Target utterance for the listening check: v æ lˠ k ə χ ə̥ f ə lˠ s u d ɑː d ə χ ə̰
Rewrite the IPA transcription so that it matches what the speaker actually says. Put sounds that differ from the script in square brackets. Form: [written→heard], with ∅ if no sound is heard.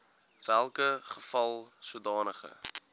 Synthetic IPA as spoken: v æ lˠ k ə χ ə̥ f [ə→ɐ] lˠ s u d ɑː [d→n] ə χ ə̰